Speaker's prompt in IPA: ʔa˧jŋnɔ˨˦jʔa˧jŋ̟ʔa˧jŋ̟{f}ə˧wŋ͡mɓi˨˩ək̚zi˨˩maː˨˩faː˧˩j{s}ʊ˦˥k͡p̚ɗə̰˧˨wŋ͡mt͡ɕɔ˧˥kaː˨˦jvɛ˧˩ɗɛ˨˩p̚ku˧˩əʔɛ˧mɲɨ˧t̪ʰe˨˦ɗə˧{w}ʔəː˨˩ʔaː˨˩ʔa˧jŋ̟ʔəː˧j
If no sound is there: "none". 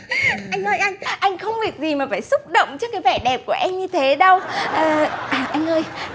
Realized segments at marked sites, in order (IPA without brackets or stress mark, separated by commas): x, s, w